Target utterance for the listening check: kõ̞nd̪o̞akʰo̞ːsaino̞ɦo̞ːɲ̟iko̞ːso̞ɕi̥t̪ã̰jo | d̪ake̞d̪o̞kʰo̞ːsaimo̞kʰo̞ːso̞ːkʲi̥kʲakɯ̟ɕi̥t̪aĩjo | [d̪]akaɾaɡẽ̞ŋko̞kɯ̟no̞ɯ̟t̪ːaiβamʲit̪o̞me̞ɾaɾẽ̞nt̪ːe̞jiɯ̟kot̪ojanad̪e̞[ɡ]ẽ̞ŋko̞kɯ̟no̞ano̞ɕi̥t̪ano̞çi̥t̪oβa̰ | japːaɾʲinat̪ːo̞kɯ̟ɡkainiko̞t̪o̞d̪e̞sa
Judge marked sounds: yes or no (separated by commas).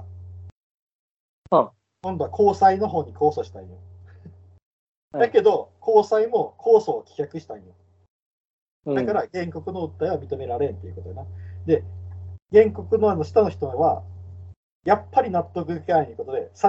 yes, yes